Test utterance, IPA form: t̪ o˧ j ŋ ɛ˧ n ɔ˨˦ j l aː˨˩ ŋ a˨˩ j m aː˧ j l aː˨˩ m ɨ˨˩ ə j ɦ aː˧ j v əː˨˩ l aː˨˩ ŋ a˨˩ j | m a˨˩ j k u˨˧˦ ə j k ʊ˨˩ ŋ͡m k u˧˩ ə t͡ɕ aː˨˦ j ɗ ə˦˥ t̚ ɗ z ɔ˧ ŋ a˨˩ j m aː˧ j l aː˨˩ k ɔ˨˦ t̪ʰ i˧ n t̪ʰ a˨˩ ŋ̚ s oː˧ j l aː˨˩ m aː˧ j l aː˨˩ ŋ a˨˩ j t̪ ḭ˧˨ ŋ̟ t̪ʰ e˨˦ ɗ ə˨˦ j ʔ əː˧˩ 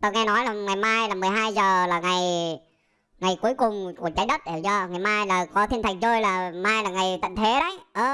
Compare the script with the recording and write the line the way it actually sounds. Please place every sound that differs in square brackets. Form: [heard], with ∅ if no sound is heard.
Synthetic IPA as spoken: t̪ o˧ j ŋ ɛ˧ n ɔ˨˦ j l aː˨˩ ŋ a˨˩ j m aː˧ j l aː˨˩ m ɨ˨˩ ə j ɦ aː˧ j [z] əː˨˩ l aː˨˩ ŋ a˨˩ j | [ŋ] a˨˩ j k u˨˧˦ ə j k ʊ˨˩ ŋ͡m k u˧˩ ə t͡ɕ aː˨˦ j ɗ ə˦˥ t̚ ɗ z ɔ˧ ŋ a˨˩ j m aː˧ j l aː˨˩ k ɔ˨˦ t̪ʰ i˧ n t̪ʰ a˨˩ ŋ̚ [z] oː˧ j l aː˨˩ m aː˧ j l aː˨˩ ŋ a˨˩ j t̪ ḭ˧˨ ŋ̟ t̪ʰ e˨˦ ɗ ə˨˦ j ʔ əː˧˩